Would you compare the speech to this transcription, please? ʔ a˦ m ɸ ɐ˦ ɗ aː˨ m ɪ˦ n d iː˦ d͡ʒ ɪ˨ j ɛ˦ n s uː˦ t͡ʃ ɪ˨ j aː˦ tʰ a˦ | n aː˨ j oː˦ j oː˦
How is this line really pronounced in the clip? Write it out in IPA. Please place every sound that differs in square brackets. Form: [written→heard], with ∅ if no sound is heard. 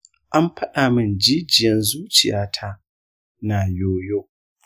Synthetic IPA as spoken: ʔ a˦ m ɸ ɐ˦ ɗ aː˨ m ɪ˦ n [d→d͡ʒ] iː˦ d͡ʒ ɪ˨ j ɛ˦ n [s→z] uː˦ t͡ʃ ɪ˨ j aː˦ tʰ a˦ | n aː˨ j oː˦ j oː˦